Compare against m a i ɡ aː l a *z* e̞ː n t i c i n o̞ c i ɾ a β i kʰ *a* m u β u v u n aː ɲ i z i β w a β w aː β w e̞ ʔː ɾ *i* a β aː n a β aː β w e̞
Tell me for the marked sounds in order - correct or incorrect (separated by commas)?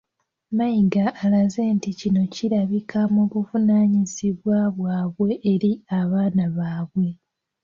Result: correct, correct, correct